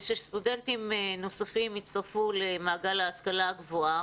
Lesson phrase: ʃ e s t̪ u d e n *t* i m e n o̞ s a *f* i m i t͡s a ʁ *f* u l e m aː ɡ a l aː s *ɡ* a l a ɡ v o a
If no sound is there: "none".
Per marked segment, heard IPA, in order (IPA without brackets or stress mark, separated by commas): t, f, f, k